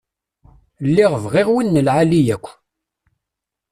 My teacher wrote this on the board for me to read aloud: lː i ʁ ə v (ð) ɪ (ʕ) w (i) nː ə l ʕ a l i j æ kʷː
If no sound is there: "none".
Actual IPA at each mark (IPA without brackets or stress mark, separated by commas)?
ʁ, ʁ, i